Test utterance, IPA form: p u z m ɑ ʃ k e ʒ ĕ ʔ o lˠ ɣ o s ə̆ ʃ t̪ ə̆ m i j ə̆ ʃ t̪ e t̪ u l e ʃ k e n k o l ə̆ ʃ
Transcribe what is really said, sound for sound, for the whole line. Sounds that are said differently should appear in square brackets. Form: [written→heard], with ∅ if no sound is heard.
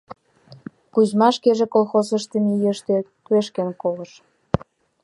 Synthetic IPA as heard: [p→k] u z m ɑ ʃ k e ʒ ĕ [ʔ→k] o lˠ [ɣ→x] o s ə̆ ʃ t̪ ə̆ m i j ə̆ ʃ t̪ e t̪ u [l→∅] e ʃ k e n k o l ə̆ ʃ